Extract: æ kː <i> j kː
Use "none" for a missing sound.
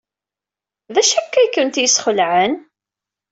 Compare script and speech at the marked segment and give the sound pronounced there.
æ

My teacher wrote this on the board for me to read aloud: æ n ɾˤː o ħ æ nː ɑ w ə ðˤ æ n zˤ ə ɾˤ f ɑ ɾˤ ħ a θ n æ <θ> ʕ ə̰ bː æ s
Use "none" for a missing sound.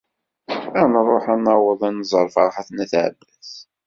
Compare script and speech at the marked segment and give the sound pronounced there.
θ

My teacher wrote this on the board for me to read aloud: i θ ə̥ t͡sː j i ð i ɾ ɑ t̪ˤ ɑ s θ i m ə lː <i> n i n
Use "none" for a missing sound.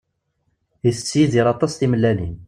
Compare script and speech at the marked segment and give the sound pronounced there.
æ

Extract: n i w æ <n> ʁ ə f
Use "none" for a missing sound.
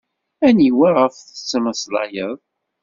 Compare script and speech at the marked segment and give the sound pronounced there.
none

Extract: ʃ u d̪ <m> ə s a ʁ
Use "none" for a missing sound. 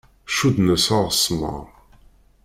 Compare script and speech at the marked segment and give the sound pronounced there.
n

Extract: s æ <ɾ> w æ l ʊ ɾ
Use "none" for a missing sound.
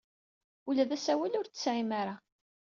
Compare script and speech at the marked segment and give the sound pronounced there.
none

